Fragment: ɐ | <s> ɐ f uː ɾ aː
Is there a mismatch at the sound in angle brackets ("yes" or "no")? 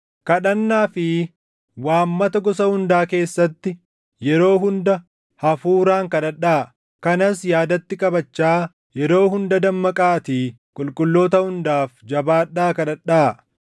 yes